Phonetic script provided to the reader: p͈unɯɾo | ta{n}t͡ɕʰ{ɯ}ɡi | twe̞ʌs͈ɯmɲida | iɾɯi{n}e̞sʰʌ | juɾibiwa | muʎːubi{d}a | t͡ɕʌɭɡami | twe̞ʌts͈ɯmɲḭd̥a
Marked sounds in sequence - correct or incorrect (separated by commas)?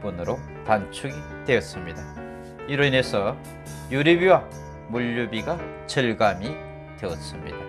correct, incorrect, correct, incorrect